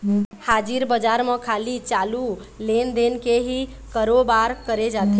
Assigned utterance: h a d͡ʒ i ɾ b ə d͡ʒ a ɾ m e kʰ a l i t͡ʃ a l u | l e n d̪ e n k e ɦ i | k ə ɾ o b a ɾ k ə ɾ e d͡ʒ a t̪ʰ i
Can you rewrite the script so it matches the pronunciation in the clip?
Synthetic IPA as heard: h a d͡ʒ i ɾ b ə d͡ʒ a ɾ m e kʰ a l i t͡ʃ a l u | l e n d̪ e n k e ɦ i | k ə ɾ o b a ɾ k ə ɾ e d͡ʒ a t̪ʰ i